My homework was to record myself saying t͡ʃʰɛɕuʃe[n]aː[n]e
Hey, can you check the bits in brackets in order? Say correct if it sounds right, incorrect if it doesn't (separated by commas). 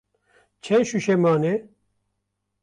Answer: incorrect, correct